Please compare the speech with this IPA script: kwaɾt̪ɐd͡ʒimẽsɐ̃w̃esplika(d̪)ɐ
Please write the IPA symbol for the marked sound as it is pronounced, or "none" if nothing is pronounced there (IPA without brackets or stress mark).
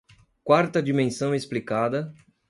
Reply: d̪